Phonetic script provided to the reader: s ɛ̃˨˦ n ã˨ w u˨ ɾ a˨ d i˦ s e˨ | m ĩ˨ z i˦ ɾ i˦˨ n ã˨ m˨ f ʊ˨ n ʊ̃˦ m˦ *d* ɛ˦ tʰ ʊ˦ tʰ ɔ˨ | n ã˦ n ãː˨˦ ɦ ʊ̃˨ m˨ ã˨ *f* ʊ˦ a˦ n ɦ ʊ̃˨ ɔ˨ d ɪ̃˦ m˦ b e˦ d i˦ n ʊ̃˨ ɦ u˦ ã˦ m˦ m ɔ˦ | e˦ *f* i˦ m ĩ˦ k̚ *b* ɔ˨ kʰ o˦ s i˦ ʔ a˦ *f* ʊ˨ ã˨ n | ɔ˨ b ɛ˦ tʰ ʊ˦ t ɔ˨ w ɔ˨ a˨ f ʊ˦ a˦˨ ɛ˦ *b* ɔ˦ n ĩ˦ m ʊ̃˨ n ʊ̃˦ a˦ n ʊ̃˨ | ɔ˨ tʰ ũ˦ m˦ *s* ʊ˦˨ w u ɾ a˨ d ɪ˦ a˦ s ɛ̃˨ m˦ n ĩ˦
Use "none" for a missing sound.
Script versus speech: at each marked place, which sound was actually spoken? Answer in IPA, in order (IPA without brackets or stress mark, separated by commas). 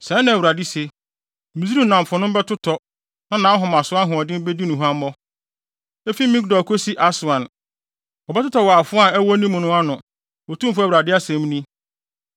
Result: b, s, f, d, s, w, f